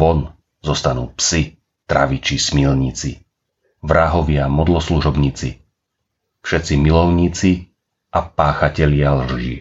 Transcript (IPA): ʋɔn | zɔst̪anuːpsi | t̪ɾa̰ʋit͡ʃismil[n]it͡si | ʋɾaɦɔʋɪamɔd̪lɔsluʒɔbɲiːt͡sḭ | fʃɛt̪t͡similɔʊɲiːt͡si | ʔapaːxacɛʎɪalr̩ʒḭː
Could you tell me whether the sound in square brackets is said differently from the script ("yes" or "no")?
yes